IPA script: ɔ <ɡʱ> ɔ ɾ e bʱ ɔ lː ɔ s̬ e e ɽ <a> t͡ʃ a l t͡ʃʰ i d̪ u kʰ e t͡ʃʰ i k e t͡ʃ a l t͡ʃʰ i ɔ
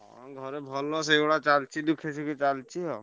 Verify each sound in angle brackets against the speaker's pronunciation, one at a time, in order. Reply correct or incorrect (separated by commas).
correct, correct